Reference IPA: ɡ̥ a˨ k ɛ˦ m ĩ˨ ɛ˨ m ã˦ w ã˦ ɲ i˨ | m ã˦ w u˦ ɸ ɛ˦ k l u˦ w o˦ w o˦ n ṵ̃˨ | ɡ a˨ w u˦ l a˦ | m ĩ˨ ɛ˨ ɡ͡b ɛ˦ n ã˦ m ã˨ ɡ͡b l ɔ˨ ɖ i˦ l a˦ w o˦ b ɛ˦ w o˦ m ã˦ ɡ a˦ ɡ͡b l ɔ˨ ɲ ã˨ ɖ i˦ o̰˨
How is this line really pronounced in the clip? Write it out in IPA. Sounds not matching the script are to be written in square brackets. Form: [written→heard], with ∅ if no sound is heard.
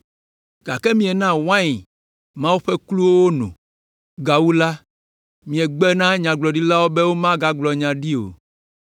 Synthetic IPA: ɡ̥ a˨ k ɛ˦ m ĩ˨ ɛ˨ [m→n] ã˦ w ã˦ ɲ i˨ | m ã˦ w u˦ ɸ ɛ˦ k l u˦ w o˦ w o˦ n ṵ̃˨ | ɡ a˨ w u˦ l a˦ | m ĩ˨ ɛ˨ ɡ͡b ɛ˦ n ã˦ [m→ɲ] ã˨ ɡ͡b l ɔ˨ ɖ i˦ l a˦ w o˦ b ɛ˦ w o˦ m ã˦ ɡ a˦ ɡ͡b l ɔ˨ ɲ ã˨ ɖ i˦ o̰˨